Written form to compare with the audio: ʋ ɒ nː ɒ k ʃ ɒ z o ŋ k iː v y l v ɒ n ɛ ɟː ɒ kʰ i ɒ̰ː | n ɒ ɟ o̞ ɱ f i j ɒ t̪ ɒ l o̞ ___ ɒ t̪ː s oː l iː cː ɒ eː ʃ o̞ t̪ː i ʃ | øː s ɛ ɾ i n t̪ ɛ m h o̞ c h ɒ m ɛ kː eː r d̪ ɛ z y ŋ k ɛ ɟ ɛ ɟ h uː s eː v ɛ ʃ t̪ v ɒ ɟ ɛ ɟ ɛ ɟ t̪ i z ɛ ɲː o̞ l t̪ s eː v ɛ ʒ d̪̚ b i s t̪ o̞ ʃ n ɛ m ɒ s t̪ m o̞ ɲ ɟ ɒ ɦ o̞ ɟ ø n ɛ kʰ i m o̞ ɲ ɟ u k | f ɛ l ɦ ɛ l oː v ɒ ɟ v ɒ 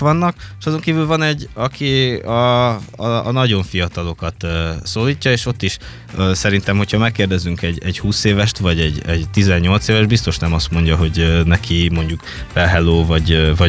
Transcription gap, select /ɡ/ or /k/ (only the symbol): k